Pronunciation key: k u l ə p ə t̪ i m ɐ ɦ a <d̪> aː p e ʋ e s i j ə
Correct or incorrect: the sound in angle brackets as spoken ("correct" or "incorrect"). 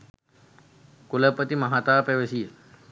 incorrect